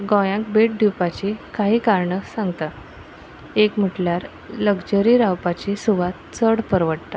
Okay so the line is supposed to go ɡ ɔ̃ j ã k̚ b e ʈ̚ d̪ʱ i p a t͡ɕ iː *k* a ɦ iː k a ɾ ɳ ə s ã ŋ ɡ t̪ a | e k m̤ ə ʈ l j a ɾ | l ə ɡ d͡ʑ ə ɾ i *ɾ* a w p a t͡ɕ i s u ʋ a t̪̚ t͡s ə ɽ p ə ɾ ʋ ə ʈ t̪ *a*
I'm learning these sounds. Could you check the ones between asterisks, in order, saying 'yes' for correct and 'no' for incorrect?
yes, yes, yes

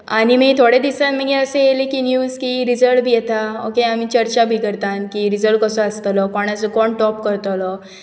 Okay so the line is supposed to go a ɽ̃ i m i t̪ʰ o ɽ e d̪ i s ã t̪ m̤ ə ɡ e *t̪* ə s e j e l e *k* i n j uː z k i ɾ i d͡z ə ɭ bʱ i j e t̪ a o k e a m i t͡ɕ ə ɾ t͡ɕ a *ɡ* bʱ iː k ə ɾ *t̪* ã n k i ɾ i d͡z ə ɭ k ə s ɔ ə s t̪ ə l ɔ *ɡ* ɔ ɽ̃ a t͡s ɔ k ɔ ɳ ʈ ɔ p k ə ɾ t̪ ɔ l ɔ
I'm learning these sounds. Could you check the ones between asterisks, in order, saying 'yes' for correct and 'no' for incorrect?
no, yes, no, yes, no

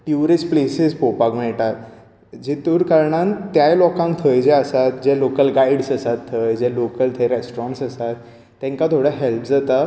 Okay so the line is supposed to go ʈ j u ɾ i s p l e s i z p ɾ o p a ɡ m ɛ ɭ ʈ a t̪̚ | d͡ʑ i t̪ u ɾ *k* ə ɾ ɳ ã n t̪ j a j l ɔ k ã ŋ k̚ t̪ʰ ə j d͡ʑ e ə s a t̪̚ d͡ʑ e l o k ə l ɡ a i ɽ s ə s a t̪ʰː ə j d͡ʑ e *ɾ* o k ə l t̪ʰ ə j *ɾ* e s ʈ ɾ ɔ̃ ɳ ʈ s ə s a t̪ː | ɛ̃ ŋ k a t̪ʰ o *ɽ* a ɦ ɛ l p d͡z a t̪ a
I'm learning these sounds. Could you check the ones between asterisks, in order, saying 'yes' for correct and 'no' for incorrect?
yes, no, yes, yes

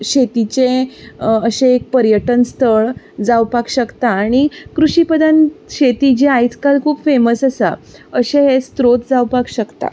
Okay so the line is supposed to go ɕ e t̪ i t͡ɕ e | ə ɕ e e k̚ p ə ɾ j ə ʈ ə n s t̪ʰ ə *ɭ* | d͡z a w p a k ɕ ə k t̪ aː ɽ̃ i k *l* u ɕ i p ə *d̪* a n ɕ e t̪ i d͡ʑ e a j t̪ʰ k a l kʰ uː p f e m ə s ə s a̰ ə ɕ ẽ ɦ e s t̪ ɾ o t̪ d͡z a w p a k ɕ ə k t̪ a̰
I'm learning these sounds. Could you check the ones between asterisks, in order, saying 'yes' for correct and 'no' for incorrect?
yes, no, yes

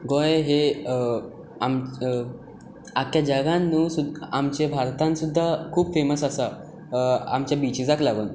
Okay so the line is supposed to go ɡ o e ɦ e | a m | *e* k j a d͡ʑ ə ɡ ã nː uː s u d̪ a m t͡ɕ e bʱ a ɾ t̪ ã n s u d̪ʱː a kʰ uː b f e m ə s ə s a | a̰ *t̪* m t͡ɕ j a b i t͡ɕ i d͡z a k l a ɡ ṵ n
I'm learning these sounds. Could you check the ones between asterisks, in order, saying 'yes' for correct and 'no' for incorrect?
no, no

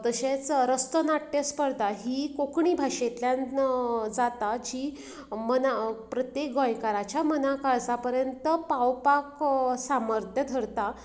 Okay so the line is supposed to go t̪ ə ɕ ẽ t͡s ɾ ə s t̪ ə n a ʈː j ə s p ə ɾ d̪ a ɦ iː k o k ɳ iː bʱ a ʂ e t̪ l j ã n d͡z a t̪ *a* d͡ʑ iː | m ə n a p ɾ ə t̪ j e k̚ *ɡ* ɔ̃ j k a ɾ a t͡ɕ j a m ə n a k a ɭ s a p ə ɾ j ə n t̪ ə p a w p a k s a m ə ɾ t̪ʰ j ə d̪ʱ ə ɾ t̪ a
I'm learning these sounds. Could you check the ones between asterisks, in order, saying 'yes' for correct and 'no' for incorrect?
yes, yes

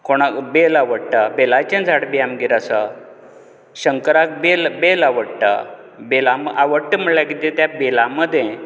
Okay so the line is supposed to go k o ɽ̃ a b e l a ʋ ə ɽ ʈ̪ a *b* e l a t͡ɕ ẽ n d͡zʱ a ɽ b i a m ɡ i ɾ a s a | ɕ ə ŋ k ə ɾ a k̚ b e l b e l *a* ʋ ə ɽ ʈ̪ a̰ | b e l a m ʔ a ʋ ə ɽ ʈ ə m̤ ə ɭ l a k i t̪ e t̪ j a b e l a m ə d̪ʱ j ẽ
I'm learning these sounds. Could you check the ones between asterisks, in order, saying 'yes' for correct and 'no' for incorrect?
yes, yes

